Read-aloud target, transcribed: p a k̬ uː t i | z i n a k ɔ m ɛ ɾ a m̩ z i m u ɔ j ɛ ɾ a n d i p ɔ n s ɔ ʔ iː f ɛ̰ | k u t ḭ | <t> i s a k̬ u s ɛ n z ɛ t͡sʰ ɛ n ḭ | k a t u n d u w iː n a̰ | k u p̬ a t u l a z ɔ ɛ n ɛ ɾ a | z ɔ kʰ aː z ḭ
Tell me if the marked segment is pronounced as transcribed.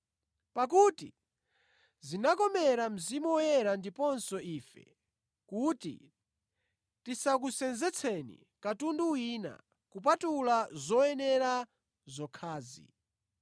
yes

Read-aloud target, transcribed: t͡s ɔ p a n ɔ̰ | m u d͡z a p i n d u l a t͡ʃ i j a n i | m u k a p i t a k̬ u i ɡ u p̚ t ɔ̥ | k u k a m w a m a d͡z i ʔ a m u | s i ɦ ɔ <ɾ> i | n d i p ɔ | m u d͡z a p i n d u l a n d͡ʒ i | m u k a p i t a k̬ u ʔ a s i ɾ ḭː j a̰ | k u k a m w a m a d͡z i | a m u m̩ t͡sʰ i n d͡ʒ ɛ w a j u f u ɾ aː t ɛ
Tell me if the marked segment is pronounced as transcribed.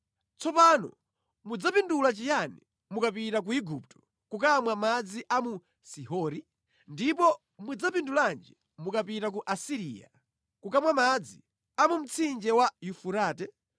yes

